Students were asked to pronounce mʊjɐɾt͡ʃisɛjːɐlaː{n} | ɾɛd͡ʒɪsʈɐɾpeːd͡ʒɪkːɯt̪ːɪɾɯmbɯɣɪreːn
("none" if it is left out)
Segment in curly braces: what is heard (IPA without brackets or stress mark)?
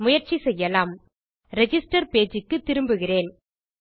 m